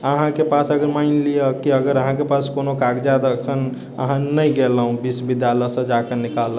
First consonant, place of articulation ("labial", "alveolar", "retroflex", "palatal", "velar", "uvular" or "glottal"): glottal